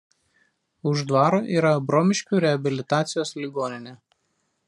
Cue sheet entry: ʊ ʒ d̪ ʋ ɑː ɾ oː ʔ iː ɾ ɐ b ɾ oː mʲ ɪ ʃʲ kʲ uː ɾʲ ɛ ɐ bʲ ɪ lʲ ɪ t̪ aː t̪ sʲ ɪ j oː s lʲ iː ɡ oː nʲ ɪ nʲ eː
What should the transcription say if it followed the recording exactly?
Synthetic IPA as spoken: ʊ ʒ d̪ ʋ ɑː ɾ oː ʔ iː ɾ ɐ b ɾ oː mʲ ɪ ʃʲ kʲ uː ɾʲ ɛ ɐ bʲ ɪ lʲ ɪ t̪ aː t̪ sʲ ɪ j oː s lʲ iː ɡ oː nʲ ɪ nʲ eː